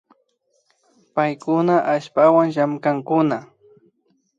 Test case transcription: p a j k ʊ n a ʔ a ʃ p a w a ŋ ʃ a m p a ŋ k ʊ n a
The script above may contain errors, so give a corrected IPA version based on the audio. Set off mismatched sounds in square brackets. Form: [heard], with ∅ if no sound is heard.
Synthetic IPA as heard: p a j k ʊ n a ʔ a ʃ p a w a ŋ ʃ a m [k] a ŋ k ʊ n a